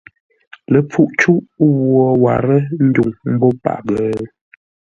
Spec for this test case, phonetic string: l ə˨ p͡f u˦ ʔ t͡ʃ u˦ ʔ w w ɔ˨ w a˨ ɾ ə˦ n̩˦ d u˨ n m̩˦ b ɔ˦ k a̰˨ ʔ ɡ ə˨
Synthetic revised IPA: l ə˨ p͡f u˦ ʔ t͡ʃ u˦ ʔ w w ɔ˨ w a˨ ɾ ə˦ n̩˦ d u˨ ŋ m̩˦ b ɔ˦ p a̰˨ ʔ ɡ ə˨